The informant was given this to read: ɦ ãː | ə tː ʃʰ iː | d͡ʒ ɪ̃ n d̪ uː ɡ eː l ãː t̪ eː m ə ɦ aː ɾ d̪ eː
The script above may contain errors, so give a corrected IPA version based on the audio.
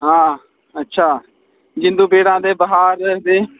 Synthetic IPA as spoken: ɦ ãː | ə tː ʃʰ aː | d͡ʒ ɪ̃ n d̪ uː b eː ɽ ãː d̪ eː b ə ɦ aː ɾ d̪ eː